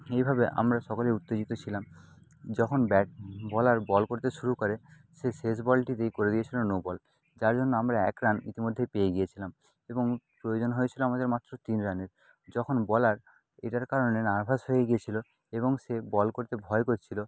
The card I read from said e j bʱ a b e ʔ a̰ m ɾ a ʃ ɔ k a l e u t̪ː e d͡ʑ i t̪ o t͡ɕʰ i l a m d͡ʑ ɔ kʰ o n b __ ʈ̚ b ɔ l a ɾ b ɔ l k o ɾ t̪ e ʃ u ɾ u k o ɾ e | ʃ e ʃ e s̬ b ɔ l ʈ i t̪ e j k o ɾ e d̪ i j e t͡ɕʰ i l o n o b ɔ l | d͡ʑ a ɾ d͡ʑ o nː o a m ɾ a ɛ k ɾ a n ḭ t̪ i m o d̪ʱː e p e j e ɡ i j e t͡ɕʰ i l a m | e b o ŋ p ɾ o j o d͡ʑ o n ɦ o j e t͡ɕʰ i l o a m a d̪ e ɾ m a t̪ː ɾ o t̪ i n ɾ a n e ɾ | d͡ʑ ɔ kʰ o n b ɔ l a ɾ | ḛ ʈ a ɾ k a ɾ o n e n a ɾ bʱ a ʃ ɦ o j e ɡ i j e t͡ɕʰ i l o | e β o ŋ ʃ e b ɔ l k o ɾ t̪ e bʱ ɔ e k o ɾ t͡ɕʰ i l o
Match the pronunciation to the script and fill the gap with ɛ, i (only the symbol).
ɛ